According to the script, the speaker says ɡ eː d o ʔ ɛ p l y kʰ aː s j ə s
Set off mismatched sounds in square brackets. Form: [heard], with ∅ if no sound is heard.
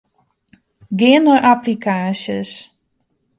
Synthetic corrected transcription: ɡ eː [n] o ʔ [a] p l [i] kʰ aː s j ə s